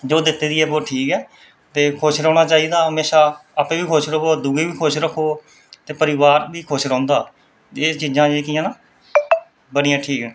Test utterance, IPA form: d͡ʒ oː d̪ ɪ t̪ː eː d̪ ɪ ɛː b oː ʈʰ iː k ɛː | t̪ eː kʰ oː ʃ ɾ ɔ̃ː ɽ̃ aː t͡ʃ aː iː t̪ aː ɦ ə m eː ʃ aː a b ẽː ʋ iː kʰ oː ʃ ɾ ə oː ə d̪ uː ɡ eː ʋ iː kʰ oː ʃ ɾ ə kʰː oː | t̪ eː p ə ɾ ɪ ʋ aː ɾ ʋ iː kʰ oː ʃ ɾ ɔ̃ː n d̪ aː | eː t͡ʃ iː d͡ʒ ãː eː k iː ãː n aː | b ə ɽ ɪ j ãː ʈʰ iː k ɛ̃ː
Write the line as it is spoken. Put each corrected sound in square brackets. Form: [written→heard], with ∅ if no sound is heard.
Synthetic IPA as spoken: d͡ʒ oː d̪ ɪ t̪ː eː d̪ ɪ ɛː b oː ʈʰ iː k ɛː | t̪ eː kʰ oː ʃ ɾ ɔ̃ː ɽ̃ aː t͡ʃ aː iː [t̪→d̪] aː ɦ ə m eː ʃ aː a [b→p] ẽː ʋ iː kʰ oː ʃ ɾ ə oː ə d̪ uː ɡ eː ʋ iː kʰ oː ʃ ɾ ə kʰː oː | t̪ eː p ə ɾ ɪ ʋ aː ɾ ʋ iː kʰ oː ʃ ɾ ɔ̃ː n d̪ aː | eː t͡ʃ iː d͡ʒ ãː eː k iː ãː n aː | b ə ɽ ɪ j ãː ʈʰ iː k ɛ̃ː